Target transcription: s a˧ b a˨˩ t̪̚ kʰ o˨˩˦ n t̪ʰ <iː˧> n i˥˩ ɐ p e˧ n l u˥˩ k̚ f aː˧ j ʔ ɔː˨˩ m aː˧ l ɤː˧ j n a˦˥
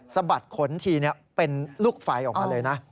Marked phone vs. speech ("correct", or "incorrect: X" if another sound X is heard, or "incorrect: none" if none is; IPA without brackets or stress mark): correct